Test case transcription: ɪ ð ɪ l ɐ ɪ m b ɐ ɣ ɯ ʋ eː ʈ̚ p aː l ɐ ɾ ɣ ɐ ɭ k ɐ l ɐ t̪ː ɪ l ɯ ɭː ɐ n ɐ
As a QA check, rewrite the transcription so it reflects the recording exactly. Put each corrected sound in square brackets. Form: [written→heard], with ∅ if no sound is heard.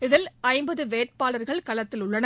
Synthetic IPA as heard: ɪ ð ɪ l ɐ ɪ m b ɐ [ɣ→ð] ɯ ʋ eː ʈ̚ p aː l ɐ ɾ ɣ ɐ ɭ k ɐ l ɐ t̪ː ɪ l [ɯ→ʊ] ɭː ɐ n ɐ